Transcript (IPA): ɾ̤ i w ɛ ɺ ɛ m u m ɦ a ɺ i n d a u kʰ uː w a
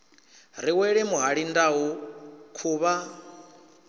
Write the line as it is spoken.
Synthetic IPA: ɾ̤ i w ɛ ɺ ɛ m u ɦ a ɺ i n d a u kʰ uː β a